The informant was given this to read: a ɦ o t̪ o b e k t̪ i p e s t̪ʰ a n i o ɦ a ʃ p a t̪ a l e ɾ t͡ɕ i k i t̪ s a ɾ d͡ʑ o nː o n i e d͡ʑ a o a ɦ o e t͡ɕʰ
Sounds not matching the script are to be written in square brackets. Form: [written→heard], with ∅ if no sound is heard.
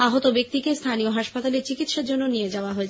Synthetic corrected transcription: a ɦ o t̪ o b e k t̪ i [p→k] e s t̪ʰ a n i o ɦ a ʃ p a t̪ a l e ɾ t͡ɕ i k i t̪ [s→ʃ] a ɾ d͡ʑ o nː o n i e d͡ʑ a o a ɦ o e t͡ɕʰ

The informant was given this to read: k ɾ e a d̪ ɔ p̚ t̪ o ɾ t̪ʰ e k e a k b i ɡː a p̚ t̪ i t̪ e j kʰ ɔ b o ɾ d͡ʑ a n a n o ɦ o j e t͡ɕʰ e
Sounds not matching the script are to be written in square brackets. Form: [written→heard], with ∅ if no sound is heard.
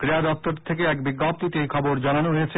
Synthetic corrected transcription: k ɾ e a d̪ ɔ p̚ t̪ o ɾ t̪ʰ e k e [a→ɛ] k b i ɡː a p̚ t̪ i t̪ e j kʰ ɔ b o ɾ d͡ʑ a n a n o ɦ o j e t͡ɕʰ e

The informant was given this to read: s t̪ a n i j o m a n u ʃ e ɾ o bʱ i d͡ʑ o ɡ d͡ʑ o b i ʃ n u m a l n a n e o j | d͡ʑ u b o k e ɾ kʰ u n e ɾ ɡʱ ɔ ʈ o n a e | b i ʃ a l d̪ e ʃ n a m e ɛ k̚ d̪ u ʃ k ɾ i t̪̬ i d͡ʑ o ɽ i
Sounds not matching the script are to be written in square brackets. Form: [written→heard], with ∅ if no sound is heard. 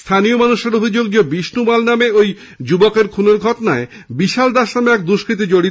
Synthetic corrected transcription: s [t̪→t̪ʰ] a n i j o m a n u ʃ e ɾ o bʱ i d͡ʑ o ɡ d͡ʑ o b i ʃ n u m a l n a [n→m] e o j | d͡ʑ u b o k e ɾ kʰ u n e ɾ ɡʱ ɔ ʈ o n a e | b i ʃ a l d̪ [e→a] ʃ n a m e ɛ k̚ d̪ u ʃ k ɾ i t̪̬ i d͡ʑ o ɽ i

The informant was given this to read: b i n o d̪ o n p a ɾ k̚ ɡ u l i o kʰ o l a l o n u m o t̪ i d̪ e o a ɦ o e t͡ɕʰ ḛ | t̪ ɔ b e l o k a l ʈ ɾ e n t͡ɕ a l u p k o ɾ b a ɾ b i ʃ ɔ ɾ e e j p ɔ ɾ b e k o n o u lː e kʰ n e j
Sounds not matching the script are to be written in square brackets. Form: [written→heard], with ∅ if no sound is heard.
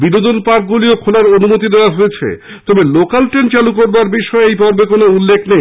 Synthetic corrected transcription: b i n o d̪ o n p a ɾ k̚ ɡ u l i o kʰ o l a [l→ɾ] o n u m o t̪ i d̪ e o a ɦ o e t͡ɕʰ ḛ | t̪ ɔ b e l o k a l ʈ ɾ e n t͡ɕ a l u [p→∅] k o ɾ b a ɾ b i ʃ ɔ [ɾ→∅] e e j p ɔ ɾ b e k o n o u lː e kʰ n e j

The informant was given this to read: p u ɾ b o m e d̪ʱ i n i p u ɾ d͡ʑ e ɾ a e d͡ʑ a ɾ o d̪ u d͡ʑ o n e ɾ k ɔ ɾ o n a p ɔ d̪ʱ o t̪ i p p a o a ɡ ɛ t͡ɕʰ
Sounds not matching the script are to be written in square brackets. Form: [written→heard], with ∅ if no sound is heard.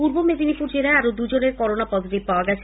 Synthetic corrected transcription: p u ɾ b o m e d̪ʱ i n i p u ɾ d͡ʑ e ɾ a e [d͡ʑ→∅] a ɾ o d̪ u d͡ʑ o n e ɾ k ɔ ɾ o n a p ɔ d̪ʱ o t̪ i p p a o a ɡ ɛ t͡ɕʰ

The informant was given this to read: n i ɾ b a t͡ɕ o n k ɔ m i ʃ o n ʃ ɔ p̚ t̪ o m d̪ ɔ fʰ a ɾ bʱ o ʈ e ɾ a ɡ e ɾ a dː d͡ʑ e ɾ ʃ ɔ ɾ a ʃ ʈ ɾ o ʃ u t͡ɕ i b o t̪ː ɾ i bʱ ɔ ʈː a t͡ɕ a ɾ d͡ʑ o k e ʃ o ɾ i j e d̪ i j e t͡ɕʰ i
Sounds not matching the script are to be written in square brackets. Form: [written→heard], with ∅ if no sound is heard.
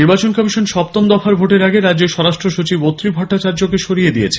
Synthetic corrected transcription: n i ɾ b a t͡ɕ o n k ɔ m i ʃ o n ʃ ɔ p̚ t̪ o m d̪ ɔ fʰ a ɾ bʱ o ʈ e ɾ a ɡ e ɾ a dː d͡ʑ e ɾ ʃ ɔ ɾ a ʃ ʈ ɾ o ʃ u t͡ɕ i b o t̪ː ɾ i bʱ ɔ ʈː a t͡ɕ a ɾ d͡ʑ o k e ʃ o ɾ i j e d̪ i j e t͡ɕʰ [i→e]

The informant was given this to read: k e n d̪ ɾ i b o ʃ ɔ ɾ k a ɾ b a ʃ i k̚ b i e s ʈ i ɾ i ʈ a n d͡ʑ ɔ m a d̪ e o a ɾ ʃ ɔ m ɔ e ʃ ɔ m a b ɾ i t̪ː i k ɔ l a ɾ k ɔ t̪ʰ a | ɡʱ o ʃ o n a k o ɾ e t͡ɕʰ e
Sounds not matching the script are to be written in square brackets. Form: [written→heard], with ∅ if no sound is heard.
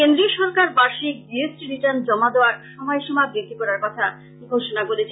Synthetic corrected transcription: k e n d̪ ɾ i [b→∅] o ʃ ɔ ɾ k a ɾ b a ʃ i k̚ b i e s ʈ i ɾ i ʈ a n d͡ʑ ɔ m a d̪ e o a ɾ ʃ ɔ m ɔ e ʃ ɔ m a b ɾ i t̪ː i k ɔ [l→ɾ] a ɾ k ɔ t̪ʰ a | ɡʱ o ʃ o n a k o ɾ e t͡ɕʰ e

